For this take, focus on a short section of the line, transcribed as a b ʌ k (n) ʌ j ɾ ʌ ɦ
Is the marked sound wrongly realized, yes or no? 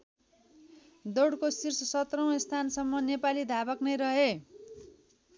no